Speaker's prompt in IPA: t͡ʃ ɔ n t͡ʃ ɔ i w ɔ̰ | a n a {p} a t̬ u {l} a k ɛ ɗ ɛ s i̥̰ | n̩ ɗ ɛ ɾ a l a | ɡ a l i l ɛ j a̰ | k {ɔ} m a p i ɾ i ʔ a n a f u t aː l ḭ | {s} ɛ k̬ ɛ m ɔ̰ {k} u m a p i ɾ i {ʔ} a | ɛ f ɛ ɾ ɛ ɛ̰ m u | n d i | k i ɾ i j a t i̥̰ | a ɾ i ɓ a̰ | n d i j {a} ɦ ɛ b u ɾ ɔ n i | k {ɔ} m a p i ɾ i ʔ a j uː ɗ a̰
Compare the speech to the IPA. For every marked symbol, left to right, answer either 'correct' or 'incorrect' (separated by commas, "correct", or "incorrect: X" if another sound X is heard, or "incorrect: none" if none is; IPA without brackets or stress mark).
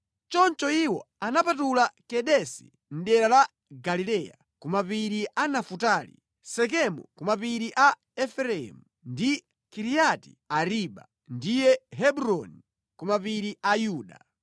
correct, correct, incorrect: u, correct, correct, correct, incorrect: ɛ, incorrect: u